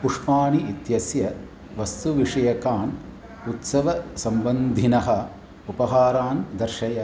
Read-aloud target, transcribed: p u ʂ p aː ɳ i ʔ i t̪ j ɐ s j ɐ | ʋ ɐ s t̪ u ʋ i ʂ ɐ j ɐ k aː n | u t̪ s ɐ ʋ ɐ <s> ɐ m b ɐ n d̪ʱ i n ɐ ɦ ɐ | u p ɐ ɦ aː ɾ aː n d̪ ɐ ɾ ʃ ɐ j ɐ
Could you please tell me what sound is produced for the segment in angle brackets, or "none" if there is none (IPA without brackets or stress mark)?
s